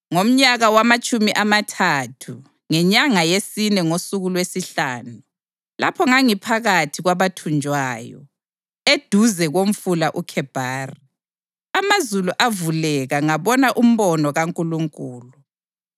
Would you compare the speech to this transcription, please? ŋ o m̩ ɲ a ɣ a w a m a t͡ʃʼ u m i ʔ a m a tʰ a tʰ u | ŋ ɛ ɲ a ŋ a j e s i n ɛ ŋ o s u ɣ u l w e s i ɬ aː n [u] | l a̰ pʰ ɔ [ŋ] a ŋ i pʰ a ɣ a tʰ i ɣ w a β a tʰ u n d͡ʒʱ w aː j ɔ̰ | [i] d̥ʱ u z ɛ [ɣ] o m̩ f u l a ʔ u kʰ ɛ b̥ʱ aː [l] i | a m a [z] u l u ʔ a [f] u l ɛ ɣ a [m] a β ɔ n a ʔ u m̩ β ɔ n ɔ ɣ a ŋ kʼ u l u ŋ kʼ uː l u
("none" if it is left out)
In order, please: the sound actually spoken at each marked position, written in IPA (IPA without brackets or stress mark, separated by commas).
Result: u, ŋ, e, ɣ, r, z, v, ŋ